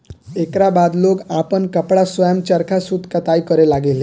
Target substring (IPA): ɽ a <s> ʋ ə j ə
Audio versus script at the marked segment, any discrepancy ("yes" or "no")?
no